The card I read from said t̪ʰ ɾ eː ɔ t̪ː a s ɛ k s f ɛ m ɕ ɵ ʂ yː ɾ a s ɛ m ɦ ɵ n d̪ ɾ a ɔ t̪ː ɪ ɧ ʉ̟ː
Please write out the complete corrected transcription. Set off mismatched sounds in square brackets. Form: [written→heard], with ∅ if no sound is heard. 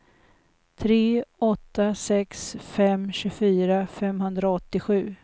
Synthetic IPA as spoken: t̪ʰ ɾ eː ɔ t̪ː a s ɛ k s f ɛ m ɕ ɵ [ʂ→f] yː ɾ a [s→f] ɛ m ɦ ɵ n d̪ ɾ a ɔ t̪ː ɪ ɧ ʉ̟ː